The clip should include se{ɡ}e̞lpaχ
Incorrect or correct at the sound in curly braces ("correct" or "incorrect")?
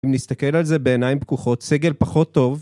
correct